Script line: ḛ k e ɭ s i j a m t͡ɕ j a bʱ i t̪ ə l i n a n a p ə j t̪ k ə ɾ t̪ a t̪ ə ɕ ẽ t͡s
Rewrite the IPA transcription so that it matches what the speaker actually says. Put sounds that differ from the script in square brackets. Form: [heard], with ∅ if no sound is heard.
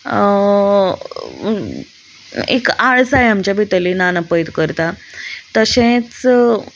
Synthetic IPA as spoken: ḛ k [a] ɭ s [a] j a m t͡ɕ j a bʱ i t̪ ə l i n a n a p ə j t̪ k ə ɾ t̪ a t̪ ə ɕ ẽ t͡s